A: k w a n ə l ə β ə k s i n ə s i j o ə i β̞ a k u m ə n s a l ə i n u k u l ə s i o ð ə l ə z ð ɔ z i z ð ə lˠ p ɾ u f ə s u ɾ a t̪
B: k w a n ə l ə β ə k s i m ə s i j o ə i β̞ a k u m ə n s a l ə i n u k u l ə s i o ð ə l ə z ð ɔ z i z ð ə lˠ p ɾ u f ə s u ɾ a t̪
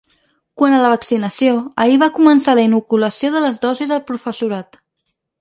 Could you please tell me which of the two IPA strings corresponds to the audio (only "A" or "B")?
A